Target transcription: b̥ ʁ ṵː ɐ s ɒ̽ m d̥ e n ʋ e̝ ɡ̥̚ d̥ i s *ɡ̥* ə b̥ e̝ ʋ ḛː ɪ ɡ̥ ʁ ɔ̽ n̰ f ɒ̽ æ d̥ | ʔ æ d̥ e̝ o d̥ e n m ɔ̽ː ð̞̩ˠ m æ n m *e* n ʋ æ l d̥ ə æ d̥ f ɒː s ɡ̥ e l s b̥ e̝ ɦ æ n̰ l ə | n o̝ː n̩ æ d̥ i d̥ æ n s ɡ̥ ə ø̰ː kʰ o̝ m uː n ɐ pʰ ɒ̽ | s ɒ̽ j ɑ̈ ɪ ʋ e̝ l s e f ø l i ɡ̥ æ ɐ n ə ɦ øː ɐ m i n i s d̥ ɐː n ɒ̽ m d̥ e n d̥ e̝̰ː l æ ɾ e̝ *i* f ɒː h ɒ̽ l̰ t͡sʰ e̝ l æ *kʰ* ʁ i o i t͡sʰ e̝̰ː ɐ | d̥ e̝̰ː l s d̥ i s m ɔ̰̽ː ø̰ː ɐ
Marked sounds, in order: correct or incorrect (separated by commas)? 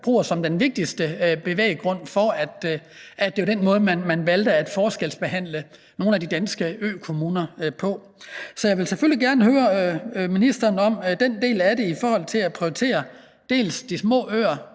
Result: incorrect, incorrect, correct, incorrect